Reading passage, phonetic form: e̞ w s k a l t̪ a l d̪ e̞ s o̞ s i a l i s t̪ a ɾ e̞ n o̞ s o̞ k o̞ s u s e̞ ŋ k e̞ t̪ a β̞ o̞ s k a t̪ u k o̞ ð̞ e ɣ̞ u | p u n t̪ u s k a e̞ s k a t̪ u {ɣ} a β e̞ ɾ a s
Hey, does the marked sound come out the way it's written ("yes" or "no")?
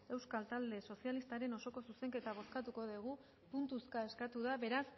no